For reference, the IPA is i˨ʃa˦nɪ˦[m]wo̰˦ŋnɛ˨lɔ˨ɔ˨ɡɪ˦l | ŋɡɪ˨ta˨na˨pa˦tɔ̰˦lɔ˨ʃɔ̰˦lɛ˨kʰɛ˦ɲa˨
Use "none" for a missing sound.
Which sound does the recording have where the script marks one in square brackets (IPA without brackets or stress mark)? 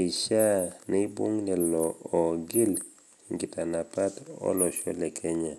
b